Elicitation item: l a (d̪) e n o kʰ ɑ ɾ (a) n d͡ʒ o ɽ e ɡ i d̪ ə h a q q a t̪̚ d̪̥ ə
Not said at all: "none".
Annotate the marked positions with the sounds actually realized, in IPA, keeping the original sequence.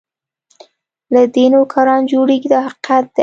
d̪, ɑ

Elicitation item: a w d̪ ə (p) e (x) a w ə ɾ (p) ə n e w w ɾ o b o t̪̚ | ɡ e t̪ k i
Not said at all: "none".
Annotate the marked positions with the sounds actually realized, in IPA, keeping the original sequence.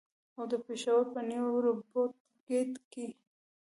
p, ʃ, p

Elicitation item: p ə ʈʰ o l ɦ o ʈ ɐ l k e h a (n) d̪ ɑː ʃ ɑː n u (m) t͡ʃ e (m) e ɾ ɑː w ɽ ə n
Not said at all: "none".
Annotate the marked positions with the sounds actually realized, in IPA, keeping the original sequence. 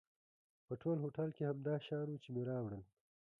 m, none, m

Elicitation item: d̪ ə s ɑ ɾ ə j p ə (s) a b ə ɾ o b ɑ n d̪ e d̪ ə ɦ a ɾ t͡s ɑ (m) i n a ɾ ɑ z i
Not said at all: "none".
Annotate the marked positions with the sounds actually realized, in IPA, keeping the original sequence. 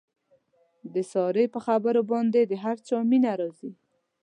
x, m

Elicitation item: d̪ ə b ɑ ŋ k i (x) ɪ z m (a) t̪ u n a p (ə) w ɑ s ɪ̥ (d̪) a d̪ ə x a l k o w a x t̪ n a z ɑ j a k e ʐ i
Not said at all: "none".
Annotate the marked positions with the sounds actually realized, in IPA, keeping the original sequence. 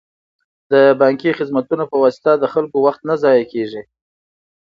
x, a, ə, t̪

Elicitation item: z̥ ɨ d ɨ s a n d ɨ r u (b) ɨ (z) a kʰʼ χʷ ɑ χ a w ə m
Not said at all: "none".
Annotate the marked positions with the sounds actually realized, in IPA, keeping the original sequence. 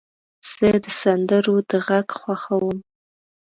d, ʁ

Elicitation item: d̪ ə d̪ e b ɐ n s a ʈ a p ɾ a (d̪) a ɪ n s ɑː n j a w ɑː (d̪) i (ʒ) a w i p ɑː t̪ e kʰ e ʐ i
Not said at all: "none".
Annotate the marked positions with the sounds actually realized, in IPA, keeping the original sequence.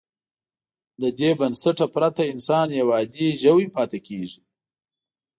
t̪, d̪, ʒ

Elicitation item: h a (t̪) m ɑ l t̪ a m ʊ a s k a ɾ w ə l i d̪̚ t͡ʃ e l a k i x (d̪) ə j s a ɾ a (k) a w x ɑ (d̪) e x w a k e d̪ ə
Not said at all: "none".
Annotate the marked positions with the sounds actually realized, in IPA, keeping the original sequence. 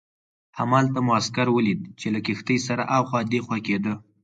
none, t̪, ʔ, d̪

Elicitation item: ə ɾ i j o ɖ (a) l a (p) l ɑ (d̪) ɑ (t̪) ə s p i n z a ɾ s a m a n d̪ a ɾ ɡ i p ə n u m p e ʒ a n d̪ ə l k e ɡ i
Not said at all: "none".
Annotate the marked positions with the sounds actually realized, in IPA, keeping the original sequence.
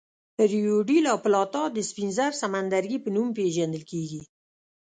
i, p, t̪, d̪

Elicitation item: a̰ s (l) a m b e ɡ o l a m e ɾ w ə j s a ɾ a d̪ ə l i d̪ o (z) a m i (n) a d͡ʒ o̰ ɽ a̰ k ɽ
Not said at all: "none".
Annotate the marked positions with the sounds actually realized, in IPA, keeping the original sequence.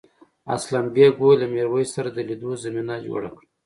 l, z, n

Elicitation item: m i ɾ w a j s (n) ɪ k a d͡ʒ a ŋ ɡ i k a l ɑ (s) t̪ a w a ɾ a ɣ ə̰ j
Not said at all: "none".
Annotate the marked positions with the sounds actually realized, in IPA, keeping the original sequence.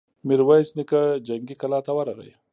n, none

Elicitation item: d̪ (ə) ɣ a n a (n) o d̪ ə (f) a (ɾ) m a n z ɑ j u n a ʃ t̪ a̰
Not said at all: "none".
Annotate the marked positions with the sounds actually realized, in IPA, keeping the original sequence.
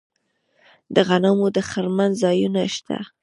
ə, m, x, ɾ

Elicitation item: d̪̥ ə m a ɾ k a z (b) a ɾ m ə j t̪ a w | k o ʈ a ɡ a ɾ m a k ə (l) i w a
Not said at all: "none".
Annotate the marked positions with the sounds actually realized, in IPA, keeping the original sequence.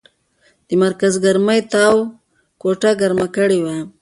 ɡ, ɽ

